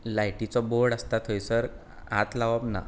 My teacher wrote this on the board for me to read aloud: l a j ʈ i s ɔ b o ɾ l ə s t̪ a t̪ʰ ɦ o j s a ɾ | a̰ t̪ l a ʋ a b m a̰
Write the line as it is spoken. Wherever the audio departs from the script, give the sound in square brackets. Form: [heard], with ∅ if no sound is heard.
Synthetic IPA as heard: l a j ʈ i [t͡s] ɔ b o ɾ [ɽ] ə s t̪ a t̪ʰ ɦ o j s [ə] ɾ | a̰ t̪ l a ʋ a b [n] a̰